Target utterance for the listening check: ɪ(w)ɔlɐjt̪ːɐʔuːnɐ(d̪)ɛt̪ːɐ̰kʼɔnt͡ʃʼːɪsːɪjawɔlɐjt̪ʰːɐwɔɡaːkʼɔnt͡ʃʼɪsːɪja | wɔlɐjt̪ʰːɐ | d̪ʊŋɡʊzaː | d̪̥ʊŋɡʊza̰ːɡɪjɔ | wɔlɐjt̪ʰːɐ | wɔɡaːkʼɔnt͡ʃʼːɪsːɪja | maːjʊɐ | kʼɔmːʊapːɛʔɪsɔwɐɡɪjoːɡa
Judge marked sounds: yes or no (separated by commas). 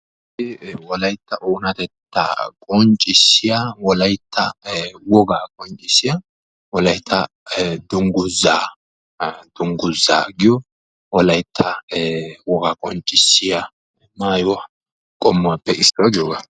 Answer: yes, no